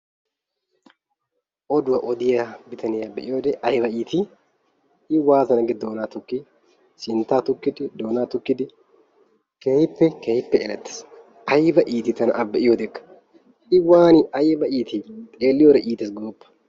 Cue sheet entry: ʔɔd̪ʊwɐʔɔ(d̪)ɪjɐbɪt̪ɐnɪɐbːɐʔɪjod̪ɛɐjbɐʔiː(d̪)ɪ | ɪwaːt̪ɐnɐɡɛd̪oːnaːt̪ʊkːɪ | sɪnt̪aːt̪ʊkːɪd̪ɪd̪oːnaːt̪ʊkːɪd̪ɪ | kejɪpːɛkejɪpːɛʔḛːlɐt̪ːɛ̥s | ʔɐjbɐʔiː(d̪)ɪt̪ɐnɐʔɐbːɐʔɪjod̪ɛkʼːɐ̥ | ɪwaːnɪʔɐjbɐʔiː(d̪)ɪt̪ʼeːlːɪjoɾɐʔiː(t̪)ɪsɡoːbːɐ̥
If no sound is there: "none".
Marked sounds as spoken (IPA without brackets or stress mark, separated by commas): d̪, t̪, t̪, t̪, t̪